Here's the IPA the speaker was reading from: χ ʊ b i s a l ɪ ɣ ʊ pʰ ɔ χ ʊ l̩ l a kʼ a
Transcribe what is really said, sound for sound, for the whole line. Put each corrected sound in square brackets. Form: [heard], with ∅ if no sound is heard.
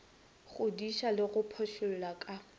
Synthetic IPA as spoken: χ ʊ [d] i [ʃ] a l ɪ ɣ ʊ pʰ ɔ [ʃ] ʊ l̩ l a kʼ a